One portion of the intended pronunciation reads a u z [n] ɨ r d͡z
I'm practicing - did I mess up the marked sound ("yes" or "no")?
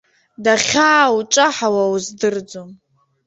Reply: yes